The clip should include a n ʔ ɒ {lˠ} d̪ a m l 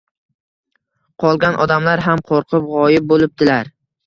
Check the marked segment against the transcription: incorrect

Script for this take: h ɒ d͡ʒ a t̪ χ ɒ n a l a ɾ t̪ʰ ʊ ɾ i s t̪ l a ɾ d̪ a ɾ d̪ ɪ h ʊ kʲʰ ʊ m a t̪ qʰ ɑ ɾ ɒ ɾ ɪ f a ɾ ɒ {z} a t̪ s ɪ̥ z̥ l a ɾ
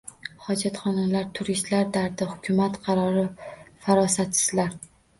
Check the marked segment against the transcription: incorrect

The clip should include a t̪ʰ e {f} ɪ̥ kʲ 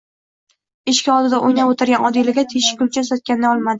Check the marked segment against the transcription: incorrect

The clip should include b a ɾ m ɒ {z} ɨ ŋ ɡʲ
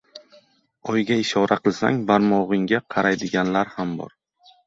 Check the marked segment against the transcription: incorrect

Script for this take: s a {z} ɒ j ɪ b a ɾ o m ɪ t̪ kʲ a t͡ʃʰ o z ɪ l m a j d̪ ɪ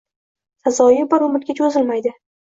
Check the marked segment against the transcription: correct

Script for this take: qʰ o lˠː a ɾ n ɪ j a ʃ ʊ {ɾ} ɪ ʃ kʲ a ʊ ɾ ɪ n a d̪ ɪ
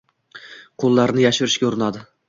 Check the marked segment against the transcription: correct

